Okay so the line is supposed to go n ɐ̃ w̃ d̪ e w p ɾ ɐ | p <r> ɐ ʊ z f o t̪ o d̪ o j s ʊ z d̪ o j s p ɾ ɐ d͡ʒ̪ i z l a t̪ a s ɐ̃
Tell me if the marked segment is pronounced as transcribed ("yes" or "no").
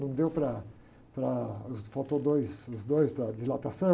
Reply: no